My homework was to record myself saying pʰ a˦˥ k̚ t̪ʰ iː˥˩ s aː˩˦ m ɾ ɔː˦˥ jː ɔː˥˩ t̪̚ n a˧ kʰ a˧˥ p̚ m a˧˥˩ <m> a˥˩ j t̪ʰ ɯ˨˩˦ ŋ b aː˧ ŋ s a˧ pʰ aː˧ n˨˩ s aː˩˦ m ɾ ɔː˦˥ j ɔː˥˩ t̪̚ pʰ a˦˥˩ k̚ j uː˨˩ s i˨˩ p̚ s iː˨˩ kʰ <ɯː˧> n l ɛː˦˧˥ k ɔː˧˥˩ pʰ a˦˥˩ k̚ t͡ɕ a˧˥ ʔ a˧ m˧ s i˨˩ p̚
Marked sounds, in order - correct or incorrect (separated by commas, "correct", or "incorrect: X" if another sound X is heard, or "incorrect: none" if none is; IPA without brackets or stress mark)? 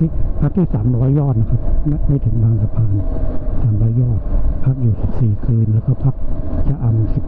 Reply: correct, correct